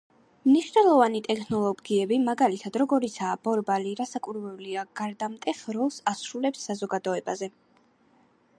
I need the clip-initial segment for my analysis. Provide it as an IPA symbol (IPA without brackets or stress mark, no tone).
m